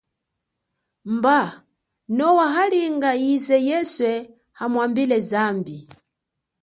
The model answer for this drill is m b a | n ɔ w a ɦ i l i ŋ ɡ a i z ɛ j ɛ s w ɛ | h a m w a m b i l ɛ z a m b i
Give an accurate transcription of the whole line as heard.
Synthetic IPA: m b a | n ɔ w a ɦ a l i ŋ ɡ a i z ɛ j ɛ s w ɛ | h a m w a m b i l ɛ z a m b i